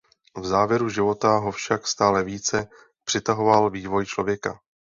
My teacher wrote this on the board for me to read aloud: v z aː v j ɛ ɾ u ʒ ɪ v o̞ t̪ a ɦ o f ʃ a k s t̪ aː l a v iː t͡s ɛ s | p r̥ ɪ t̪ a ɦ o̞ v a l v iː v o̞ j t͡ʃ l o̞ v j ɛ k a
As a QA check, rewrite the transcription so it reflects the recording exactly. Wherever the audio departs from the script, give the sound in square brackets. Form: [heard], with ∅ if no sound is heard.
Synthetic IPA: v z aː v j ɛ ɾ u ʒ ɪ v o̞ t̪ a ɦ o f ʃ a k s t̪ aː l [ɛ] v iː t͡s ɛ [∅] | p r̥ ɪ t̪ a ɦ o̞ v a l v iː v o̞ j t͡ʃ l o̞ v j ɛ k a